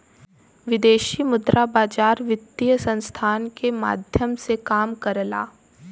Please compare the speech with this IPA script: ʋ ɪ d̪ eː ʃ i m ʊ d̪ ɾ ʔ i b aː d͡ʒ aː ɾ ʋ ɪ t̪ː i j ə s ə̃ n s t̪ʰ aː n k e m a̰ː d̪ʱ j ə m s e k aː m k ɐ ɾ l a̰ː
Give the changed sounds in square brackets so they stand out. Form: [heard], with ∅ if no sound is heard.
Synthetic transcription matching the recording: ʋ ɪ d̪ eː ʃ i m ʊ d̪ ɾ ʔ [a] b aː d͡ʒ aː ɾ ʋ ɪ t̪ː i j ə s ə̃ n s t̪ʰ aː n k e m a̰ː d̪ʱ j ə m s e k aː m k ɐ ɾ l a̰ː